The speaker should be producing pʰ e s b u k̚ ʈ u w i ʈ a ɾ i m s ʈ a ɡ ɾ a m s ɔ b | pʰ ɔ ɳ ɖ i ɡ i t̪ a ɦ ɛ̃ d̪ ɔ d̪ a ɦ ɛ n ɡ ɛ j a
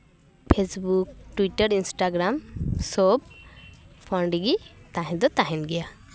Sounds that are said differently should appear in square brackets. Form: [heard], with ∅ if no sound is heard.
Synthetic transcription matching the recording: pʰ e s b u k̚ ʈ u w i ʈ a ɾ i [n] s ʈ a ɡ ɾ a m s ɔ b | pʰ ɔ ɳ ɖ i ɡ i t̪ a ɦ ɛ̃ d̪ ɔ [t̪] a ɦ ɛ n ɡ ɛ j a